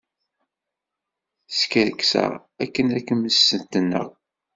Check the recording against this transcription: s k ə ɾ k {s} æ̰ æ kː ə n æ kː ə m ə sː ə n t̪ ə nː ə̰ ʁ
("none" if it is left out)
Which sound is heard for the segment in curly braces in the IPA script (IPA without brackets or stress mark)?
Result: s